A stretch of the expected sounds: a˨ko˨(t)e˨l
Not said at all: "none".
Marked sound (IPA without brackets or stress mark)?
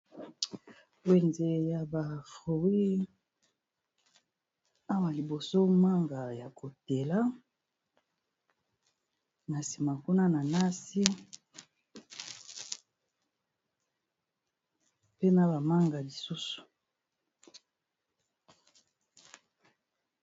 t